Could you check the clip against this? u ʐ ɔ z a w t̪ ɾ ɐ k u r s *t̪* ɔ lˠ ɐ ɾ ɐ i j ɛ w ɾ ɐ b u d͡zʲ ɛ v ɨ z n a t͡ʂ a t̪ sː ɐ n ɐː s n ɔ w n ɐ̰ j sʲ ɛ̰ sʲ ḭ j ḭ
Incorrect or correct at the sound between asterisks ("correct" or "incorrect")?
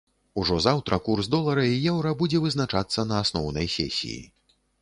incorrect